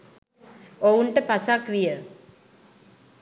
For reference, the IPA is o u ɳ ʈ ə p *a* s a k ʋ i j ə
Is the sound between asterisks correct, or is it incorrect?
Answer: correct